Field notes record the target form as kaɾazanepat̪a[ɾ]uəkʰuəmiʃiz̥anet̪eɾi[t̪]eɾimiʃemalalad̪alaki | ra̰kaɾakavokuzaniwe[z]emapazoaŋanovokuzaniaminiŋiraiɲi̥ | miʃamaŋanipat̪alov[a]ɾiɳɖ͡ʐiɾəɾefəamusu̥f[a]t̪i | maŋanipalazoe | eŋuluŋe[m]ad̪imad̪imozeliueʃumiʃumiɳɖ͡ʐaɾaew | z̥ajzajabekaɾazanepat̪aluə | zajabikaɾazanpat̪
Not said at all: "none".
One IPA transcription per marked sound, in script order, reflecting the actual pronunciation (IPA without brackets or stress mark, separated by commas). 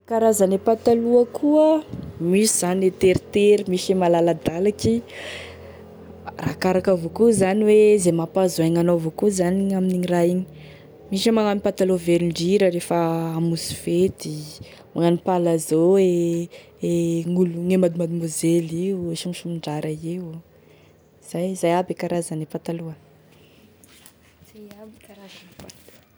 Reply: l, t̪, z, e, e, m